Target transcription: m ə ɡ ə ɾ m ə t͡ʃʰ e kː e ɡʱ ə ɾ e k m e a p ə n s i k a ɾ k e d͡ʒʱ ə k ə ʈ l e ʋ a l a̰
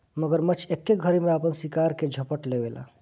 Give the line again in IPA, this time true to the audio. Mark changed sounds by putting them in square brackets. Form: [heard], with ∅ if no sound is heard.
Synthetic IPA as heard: m ə ɡ ə ɾ m ə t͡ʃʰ e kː e ɡʱ ə ɾ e [∅] m e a p ə n s i k a ɾ k e d͡ʒʱ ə [p] ə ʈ l e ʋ [e] l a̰